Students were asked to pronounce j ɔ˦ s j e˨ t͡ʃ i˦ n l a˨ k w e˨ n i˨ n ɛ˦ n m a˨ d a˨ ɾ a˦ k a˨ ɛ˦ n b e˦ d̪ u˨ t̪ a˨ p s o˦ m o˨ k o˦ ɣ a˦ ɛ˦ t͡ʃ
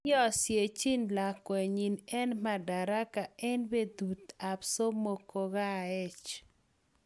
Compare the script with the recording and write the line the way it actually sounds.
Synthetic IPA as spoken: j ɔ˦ s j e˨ t͡ʃ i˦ n l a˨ k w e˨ ɲ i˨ n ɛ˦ n m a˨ d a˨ ɾ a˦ k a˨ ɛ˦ n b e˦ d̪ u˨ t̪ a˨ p s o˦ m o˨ k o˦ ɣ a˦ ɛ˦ t͡ʃ